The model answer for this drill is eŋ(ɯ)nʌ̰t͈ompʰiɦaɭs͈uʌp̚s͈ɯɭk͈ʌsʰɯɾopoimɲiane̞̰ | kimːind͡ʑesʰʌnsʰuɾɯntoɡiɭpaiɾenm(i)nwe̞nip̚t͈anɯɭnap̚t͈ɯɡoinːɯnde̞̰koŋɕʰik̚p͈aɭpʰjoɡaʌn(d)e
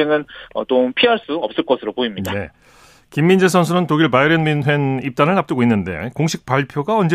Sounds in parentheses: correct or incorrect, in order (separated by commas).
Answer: correct, correct, incorrect